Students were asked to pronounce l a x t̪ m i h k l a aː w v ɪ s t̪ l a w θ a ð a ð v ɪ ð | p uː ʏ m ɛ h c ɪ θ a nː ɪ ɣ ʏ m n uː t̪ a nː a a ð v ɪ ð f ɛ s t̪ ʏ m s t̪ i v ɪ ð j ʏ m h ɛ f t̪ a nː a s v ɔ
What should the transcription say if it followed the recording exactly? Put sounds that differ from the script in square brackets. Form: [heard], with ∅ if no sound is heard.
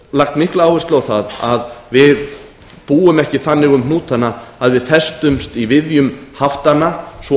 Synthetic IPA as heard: l a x t̪ m i h k l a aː w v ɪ s t̪ l a w θ a ð a ð v ɪ ð | p uː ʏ m ɛ h c ɪ θ a nː ɪ ɣ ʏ m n uː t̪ a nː a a ð v ɪ ð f ɛ s t̪ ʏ m s t̪ i v ɪ ð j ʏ m h [a] f t̪ a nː a s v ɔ

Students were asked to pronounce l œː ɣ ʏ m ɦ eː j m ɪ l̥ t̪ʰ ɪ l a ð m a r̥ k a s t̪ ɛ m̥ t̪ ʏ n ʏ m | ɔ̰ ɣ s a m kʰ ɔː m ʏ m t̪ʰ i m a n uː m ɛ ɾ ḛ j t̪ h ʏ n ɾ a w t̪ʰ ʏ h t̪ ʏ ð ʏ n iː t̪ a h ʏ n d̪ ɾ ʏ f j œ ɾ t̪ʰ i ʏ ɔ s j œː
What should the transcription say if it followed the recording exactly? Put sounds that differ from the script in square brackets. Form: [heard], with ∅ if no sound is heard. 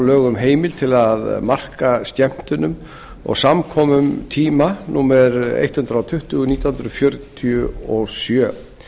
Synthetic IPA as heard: l œː ɣ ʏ m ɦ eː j m ɪ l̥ t̪ʰ ɪ l a ð m a r̥ k a s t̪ ɛ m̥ t̪ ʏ n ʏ m | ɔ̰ ɣ s a m kʰ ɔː m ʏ m t̪ʰ [iː] m a n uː m ɛ ɾ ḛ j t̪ h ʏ n ɾ a w t̪ʰ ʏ h t̪ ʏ [ɣ] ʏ n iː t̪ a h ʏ n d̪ ɾ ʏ f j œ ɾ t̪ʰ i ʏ ɔ s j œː

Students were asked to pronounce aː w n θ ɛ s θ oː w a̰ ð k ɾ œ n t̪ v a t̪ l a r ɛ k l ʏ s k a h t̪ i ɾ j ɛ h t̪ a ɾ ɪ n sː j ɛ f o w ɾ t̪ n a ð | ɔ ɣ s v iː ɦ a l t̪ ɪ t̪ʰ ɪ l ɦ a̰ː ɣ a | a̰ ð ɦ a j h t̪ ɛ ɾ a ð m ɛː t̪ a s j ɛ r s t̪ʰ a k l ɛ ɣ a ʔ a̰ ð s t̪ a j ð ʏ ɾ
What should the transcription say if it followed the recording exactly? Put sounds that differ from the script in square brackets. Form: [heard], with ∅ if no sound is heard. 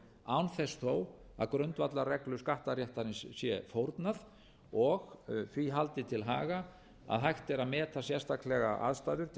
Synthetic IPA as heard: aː w n θ ɛ s θ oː w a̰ ð k ɾ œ n t̪ v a t̪ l a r ɛ k l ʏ s k a h t̪ [a] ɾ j ɛ h t̪ a ɾ ɪ n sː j ɛ f o w ɾ t̪ n a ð | ɔ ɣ [θ] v [i] ɦ a l t̪ ɪ t̪ʰ ɪ l ɦ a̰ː ɣ a | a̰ ð ɦ a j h t̪ ɛ ɾ a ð m ɛː t̪ a s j ɛ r s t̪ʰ a k l ɛ ɣ a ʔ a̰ ð s t̪ a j ð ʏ ɾ

